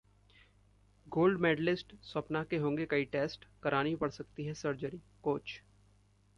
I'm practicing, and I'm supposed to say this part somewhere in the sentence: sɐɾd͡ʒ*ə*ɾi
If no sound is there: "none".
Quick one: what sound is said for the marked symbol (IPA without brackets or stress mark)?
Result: ə